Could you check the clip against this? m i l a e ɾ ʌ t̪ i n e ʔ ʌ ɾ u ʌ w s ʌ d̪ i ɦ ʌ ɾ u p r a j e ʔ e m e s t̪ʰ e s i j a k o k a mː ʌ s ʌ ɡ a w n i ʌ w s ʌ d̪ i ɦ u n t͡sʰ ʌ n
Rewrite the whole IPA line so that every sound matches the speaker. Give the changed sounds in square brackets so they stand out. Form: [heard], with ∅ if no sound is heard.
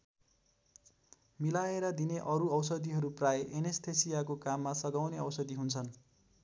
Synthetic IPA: m i l a e ɾ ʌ [d̪] i n e ʔ ʌ ɾ u ʌ w s ʌ d̪ i ɦ ʌ ɾ u p r a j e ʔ e [n] e s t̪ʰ e s i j a k o k a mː [a] s ʌ ɡ a w n [e] ʌ w s ʌ d̪ i ɦ u n t͡sʰ ʌ n

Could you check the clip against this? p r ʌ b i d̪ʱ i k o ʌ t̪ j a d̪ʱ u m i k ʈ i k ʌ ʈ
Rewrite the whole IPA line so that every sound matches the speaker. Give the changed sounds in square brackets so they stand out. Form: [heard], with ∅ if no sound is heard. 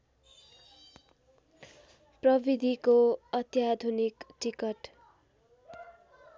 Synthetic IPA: p r ʌ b i d̪ʱ i k o ʌ t̪ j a d̪ʱ u [n] i k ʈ i k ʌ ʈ

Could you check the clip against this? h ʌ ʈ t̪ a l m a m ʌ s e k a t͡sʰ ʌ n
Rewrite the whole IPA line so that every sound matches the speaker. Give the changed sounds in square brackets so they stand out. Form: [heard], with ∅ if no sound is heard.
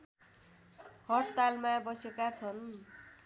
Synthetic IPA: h ʌ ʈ t̪ a l m a [b] ʌ s e k a t͡sʰ ʌ n

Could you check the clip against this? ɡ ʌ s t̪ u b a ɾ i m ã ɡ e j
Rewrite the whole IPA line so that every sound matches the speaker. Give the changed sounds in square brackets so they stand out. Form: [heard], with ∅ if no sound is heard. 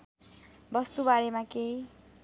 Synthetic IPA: [b] ʌ s t̪ u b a ɾ [e] m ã [k] e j

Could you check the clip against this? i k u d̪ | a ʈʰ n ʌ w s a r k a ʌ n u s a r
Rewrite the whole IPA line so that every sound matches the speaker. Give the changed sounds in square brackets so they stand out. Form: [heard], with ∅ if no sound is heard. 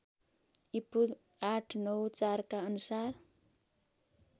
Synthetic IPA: i [p] u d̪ | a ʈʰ n ʌ w [t͡s] a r k a ʌ n u s a r

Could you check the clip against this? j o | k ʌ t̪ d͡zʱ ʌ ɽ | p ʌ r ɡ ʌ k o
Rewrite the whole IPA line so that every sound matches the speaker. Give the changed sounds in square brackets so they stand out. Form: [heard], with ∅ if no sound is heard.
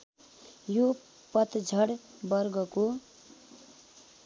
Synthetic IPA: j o | [p] ʌ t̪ d͡zʱ ʌ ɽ | [b] ʌ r ɡ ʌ k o

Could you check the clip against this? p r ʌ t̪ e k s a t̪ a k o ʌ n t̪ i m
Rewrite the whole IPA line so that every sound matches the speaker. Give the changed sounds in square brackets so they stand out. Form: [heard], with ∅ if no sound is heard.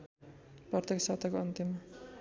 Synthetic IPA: p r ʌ t̪ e k s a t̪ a k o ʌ n t̪ i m

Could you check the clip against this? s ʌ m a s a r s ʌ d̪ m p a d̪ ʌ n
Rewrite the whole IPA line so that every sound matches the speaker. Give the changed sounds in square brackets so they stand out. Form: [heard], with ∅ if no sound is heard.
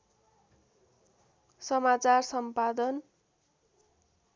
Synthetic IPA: s ʌ m a [t͡s] a r s ʌ [∅] m p a d̪ ʌ n

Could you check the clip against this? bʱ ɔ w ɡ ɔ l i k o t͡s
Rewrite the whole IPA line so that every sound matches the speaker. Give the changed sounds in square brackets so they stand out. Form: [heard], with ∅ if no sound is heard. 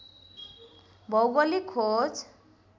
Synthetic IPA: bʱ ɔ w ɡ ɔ l i [kʰ] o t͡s

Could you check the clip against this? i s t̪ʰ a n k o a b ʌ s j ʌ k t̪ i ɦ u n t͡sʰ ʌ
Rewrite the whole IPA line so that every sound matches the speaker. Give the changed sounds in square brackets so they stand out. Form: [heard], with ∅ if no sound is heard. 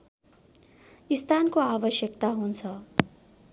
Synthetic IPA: i s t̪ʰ a n k o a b ʌ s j ʌ k t̪ [a] ɦ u n t͡sʰ ʌ

